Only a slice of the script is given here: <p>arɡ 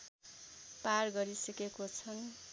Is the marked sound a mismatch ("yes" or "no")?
no